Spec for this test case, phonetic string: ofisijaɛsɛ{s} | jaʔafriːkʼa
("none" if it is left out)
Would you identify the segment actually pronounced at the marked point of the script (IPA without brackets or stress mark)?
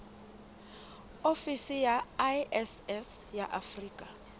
s